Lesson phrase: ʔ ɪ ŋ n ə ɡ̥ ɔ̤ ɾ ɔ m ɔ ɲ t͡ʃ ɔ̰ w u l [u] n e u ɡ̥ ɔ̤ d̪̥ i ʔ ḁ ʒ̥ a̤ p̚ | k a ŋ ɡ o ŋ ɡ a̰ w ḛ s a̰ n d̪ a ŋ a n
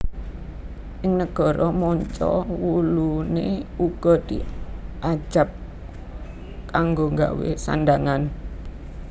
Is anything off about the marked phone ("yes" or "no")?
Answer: no